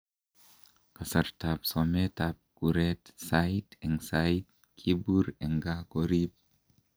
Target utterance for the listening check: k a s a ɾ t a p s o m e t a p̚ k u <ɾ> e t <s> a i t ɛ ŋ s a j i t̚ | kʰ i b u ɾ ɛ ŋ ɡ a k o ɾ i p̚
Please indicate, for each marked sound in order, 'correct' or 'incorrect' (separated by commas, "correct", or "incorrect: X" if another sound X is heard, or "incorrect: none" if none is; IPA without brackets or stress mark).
correct, correct